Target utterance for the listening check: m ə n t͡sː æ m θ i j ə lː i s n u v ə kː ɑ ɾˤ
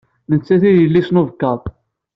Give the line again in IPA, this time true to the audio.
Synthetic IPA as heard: m ə n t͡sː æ θ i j ə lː i s n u v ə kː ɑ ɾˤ